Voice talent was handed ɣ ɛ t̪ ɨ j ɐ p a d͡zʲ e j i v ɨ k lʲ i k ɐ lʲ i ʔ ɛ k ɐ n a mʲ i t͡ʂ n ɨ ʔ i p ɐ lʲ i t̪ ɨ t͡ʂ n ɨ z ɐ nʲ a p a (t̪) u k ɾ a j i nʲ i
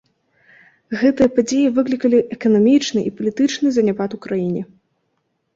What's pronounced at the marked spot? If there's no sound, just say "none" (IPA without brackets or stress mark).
t̪